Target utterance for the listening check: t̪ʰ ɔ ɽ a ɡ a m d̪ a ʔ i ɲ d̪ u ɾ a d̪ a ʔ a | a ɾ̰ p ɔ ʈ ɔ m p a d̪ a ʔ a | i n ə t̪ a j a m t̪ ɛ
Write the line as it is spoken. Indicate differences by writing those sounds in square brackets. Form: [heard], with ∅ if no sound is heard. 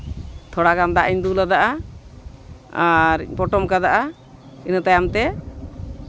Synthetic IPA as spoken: t̪ʰ ɔ ɽ a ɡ a m d̪ a ʔ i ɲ d̪ u [l] a d̪ a ʔ a | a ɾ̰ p ɔ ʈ ɔ m [k] a d̪ a ʔ a | i n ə t̪ a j a m t̪ ɛ